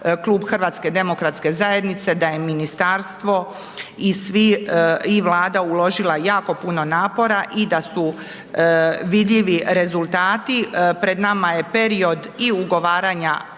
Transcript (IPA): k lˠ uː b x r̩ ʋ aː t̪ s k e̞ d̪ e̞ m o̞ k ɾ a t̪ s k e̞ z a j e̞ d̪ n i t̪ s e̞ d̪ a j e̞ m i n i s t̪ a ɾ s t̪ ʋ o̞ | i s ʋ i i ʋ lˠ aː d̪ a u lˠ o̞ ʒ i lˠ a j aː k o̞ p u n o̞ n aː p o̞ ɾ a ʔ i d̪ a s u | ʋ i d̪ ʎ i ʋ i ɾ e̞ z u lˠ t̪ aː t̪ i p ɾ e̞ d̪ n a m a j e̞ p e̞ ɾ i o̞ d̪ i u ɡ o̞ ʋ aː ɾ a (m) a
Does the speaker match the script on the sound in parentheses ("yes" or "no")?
no